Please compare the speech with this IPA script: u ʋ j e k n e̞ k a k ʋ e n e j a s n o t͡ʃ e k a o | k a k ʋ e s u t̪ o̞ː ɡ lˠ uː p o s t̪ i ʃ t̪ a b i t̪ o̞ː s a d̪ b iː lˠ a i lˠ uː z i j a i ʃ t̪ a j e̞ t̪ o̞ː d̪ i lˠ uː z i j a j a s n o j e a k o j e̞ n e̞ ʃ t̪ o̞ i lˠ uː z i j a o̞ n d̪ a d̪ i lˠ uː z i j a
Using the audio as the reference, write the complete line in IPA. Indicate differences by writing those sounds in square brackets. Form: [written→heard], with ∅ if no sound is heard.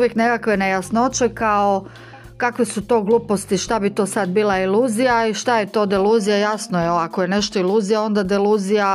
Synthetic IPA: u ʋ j e k n e̞ k a k ʋ e n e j a s n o t͡ʃ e k a o | k a k ʋ e s u t̪ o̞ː ɡ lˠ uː p o s t̪ i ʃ t̪ a b i t̪ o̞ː s a d̪ b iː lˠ a i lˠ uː z i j a i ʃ t̪ a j e̞ t̪ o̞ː d̪ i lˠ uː z i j a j a s n o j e a k o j e̞ n e̞ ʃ t̪ o̞ i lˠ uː z i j a o̞ n d̪ a d̪ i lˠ uː z i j a